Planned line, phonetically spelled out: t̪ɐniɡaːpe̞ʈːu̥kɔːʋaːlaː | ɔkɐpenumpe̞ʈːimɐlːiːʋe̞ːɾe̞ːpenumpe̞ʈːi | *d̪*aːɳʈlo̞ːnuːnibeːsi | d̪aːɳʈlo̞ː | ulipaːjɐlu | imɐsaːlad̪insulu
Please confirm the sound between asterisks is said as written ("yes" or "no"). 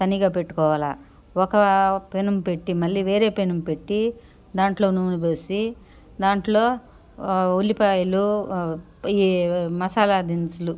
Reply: yes